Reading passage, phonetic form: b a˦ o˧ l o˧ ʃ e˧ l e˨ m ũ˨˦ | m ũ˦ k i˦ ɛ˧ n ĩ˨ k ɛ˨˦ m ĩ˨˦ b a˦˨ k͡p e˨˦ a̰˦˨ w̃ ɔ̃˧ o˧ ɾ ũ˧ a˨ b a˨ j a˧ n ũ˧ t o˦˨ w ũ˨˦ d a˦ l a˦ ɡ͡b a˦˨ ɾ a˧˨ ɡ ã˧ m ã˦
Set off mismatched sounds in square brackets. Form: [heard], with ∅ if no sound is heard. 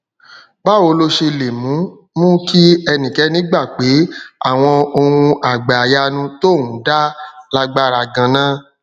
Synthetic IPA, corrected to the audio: b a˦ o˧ l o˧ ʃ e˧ l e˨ m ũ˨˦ | m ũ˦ k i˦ ɛ˧ n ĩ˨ k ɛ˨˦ [n] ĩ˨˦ [ɡ͡b] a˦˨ k͡p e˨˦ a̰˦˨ w̃ ɔ̃˧ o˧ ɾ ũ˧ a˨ [ɡ͡b] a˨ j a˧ n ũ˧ t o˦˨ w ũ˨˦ d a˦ l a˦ ɡ͡b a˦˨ ɾ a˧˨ ɡ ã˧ [n] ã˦